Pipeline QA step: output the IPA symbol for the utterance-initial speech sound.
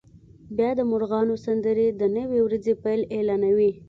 b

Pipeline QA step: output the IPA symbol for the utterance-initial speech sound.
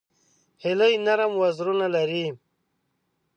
h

